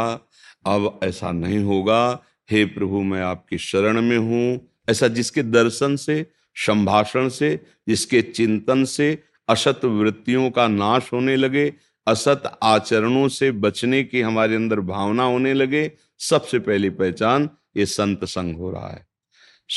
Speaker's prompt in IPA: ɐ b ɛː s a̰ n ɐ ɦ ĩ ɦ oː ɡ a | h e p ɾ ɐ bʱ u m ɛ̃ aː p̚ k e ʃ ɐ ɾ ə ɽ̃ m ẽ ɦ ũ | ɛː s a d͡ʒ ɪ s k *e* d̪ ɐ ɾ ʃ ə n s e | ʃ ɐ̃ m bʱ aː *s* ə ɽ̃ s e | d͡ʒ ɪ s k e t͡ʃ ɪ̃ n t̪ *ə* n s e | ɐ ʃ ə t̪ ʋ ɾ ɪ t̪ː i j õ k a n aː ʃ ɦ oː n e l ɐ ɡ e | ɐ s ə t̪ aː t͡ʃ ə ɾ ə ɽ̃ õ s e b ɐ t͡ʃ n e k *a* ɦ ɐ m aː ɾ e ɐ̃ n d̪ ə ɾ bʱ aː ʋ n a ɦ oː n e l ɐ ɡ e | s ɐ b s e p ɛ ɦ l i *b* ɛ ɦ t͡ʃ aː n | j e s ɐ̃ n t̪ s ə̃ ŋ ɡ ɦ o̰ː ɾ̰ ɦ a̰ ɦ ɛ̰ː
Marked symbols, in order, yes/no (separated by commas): yes, no, yes, no, no